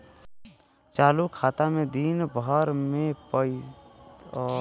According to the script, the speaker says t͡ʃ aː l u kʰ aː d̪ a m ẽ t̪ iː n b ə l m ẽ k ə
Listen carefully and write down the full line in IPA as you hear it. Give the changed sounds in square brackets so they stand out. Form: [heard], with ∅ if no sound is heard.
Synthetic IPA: t͡ʃ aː l u kʰ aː [t̪] a m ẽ [d̪] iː n b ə [ɾ] m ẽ [p] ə